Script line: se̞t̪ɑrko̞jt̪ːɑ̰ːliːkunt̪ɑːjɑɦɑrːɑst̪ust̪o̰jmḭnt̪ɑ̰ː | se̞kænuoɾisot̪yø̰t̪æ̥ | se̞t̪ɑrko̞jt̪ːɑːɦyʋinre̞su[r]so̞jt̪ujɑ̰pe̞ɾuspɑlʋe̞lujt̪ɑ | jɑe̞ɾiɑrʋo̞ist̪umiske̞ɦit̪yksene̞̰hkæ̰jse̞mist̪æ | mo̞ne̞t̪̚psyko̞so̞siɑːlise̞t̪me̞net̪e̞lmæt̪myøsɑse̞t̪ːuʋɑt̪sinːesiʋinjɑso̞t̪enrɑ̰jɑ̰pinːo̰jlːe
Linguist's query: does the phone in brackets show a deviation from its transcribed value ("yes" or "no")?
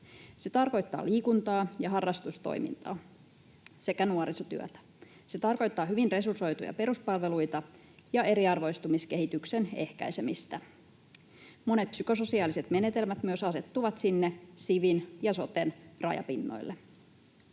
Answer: no